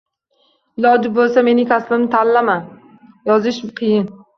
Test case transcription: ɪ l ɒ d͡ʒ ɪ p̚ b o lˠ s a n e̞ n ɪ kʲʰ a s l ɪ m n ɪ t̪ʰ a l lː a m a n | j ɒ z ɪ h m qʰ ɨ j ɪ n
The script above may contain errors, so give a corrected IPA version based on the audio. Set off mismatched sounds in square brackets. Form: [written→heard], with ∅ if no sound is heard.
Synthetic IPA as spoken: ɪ l ɒ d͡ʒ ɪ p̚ b o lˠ s a [n→m] e̞ n ɪ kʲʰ a s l ɪ m n ɪ t̪ʰ a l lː a m a n | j ɒ z ɪ [h→ʃ] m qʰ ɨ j ɪ n